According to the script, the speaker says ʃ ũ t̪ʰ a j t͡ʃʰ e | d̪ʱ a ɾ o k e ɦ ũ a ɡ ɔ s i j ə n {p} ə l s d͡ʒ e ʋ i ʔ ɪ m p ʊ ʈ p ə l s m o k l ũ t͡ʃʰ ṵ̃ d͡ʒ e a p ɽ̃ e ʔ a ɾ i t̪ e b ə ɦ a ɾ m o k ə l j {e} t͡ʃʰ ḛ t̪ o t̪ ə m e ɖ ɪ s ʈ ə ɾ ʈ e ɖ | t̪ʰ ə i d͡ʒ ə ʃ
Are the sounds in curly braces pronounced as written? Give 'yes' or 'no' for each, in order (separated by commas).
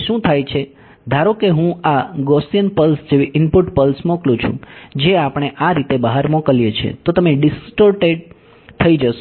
yes, yes